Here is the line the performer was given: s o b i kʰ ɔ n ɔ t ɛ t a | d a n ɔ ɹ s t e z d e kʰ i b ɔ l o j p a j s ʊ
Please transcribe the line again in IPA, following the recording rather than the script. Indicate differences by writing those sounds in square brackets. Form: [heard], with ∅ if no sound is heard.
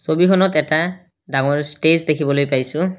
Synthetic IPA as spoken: s o b i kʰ ɔ n ɔ t ɛ t a | d a [ŋ] ɔ ɹ s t e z d e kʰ i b ɔ l o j p a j s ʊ